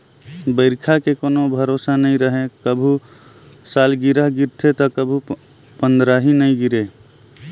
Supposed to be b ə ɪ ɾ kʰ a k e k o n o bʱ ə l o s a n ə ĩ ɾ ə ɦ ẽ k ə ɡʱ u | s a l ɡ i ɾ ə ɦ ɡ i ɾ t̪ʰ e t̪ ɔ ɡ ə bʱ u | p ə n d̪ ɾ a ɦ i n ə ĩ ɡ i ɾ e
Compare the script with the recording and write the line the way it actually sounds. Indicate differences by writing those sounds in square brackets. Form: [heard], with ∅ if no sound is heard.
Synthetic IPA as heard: b ə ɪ ɾ kʰ a k e k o n o bʱ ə [ɾ] o s a n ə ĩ ɾ ə ɦ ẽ k ə [bʱ] u | s a l ɡ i ɾ ə ɦ ɡ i ɾ t̪ʰ e t̪ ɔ [k] ə bʱ u | p ə n d̪ ɾ a ɦ i n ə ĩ ɡ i ɾ e